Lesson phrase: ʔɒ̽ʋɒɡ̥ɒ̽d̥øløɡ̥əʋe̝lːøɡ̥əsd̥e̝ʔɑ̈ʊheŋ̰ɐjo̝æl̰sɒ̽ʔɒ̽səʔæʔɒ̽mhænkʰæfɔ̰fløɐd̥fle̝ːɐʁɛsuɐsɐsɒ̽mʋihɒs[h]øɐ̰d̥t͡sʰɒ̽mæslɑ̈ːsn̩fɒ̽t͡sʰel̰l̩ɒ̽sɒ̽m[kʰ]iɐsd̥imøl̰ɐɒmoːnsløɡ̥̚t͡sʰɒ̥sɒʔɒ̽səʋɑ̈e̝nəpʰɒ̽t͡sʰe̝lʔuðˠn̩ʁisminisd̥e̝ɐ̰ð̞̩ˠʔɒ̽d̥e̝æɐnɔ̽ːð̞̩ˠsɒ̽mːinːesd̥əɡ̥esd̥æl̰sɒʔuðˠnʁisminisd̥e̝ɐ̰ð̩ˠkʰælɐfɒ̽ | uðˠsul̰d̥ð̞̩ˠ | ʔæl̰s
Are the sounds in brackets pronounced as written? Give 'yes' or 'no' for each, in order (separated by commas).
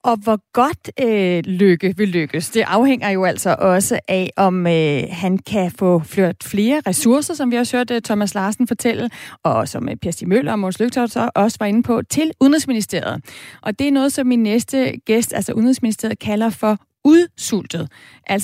yes, no